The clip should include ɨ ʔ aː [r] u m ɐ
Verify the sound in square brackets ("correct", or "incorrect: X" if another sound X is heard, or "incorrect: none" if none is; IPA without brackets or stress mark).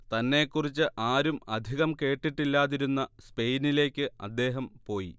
incorrect: ɾ